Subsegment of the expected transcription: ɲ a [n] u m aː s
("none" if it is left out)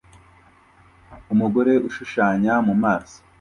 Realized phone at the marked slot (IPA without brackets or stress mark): m